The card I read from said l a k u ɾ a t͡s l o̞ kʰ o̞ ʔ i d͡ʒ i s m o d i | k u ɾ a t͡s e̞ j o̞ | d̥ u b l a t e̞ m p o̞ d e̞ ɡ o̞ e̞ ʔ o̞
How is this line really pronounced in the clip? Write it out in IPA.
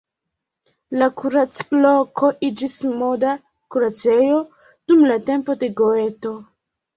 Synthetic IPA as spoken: l a k u ɾ a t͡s l o̞ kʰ o̞ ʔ i d͡ʒ i s m o d a | k u ɾ a t͡s e̞ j o̞ | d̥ u m l a t e̞ m p o̞ d e̞ ɡ o̞ e̞ t o̞

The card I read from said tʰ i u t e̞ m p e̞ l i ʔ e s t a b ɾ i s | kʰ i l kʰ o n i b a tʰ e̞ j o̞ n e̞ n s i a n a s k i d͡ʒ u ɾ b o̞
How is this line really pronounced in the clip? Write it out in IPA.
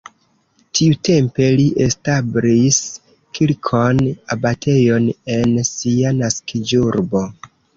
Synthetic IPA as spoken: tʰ i u t e̞ m p e̞ l i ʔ e s t a b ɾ i s | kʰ i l kʰ o n a b a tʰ e̞ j o̞ n e̞ n s i a n a s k i d͡ʒ u ɾ b o̞

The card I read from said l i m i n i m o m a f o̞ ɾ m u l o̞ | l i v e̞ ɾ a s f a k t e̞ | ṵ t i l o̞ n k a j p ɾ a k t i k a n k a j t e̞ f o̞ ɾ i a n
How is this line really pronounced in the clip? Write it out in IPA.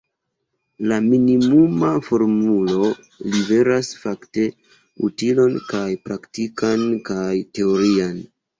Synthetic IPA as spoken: l a m i n i m u m a f o̞ ɾ m u l o̞ | l i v e̞ ɾ a s f a k t e̞ | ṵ t i l o̞ n k a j p ɾ a k t i k a n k a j t e̞ o̞ ɾ i a n

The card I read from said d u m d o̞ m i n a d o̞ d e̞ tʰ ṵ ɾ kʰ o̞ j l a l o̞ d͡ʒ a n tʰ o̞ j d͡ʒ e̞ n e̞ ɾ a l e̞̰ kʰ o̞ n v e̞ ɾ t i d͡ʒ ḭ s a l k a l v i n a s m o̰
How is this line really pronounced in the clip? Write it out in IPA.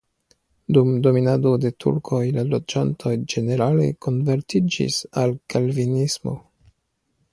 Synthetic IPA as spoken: d u m d o̞ m i n a d o̞ d e̞ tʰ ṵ ɾ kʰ o̞ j l a l o̞ d͡ʒ a n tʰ o̞ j d͡ʒ e̞ n e̞ ɾ a l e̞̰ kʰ o̞ n v e̞ ɾ t i d͡ʒ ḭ s a l k a l v i n i s m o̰

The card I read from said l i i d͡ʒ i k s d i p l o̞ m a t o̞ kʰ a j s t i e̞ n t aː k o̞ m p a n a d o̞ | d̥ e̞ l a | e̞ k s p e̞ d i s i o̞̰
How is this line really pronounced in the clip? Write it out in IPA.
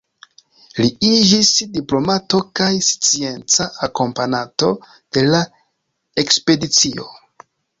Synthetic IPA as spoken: l i i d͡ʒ i s d i p l o̞ m a t o̞ k a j s t͡s i e̞ n t͡s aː k o̞ m p a n a t o̞ | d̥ e̞ l a | e̞ k s p e̞ d i t͡s i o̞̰

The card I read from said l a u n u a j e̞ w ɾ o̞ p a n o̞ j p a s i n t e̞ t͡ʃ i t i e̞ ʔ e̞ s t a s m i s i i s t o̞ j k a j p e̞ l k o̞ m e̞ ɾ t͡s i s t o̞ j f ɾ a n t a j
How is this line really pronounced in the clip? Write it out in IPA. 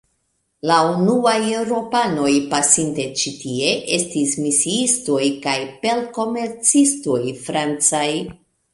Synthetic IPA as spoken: l a u n u a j e̞ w ɾ o̞ p a n o̞ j p a s i n t e̞ t͡ʃ i t i e̞ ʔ e̞ s t i s m i s i i s t o̞ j k a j p e̞ l k o̞ m e̞ ɾ t͡s i s t o̞ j f ɾ a n t͡s a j

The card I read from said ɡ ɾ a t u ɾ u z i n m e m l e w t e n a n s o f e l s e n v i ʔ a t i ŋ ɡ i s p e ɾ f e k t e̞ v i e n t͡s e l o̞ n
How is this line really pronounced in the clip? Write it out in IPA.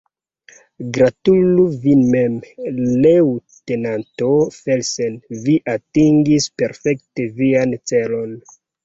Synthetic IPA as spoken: ɡ ɾ a t u l u v i n m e m l e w t e n a n t o f e l s e n v i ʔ a t i ŋ ɡ i s p e ɾ f e k t e̞ v i a n t͡s e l o̞ n

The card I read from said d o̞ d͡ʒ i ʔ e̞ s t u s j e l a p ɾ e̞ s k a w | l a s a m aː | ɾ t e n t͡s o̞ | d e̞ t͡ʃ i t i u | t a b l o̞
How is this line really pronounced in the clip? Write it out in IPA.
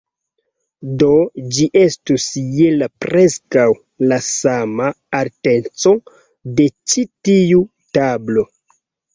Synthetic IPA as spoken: d o̞ d͡ʒ i ʔ e̞ s t u s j e l a p ɾ e̞ s k a w | l a s a m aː | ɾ t e n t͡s o̞ | d e̞ t͡ʃ i t i u | t a b l o̞

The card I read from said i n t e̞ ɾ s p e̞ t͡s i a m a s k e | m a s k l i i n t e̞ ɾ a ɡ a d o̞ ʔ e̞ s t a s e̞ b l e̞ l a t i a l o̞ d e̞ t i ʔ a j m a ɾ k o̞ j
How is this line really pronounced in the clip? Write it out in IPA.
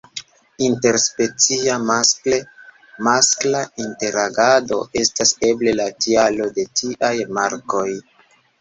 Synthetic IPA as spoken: i n t e̞ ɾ s p e̞ t͡s i a m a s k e | m a s k l a i n t e̞ ɾ a ɡ a d o̞ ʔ e̞ s t a s e̞ b l e̞ l a t i a l o̞ d e̞ t i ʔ a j m a ɾ k o̞ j

